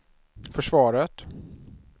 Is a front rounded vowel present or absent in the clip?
present